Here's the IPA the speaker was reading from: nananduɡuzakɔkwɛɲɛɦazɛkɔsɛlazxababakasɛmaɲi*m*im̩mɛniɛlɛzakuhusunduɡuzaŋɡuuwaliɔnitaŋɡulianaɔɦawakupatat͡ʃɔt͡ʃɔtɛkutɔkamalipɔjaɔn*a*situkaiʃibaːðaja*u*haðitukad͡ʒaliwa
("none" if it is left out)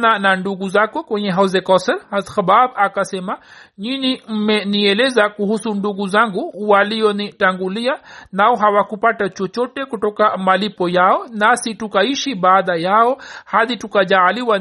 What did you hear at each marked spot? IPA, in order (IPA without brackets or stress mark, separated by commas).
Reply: n, a, ɔ